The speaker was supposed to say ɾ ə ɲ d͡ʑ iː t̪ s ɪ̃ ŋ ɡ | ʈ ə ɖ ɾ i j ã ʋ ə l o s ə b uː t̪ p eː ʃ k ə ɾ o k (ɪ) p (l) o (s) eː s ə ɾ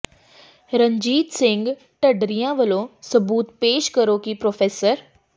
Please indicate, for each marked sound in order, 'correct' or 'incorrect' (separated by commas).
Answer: incorrect, incorrect, incorrect